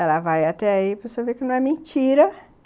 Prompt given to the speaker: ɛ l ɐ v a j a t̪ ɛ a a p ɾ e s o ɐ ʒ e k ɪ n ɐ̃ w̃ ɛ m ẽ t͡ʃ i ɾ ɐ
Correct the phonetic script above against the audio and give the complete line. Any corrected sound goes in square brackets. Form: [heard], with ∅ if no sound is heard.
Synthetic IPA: ɛ l ɐ v a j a t̪ ɛ a [i] p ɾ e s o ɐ [v] e k ɪ n ɐ̃ w̃ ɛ m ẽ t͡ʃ i ɾ ɐ